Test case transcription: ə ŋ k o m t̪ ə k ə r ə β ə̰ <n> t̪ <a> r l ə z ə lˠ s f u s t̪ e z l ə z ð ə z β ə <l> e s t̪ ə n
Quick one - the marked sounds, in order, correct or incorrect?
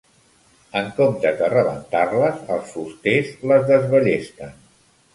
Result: correct, correct, incorrect

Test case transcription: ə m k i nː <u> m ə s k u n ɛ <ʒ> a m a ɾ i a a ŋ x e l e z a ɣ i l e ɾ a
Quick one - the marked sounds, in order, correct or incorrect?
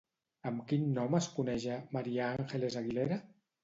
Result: incorrect, correct

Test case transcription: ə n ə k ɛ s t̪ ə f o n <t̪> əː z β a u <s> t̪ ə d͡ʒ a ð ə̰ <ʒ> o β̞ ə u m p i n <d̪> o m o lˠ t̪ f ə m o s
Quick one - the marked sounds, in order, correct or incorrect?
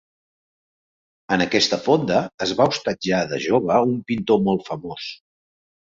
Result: incorrect, correct, correct, incorrect

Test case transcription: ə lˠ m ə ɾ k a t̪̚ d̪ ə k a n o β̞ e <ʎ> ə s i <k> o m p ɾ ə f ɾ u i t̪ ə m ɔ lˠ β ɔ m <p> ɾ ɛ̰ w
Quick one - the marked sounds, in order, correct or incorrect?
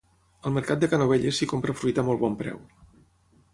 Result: correct, correct, correct

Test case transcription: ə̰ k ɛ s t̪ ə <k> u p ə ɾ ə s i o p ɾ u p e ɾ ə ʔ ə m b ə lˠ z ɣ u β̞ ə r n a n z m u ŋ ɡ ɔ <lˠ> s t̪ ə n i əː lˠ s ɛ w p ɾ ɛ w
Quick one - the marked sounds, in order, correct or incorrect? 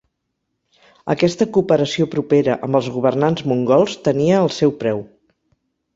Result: correct, correct

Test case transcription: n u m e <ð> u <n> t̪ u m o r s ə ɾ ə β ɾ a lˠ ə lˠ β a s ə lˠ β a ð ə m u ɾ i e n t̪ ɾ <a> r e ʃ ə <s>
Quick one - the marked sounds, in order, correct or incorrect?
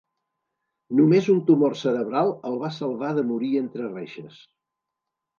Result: incorrect, correct, incorrect, correct

